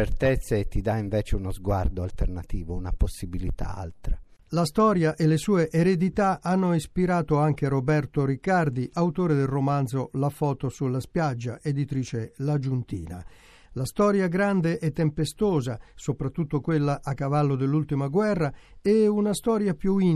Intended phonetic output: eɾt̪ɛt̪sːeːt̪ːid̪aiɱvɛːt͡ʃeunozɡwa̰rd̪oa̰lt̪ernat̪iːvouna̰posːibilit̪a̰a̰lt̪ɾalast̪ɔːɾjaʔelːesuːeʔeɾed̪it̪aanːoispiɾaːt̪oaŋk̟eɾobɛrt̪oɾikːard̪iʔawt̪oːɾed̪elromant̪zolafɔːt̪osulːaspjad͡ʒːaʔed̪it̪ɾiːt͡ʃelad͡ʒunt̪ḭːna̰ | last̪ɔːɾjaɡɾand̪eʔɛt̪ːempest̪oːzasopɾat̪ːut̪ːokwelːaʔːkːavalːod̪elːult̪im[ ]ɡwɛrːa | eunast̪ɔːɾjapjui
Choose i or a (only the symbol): a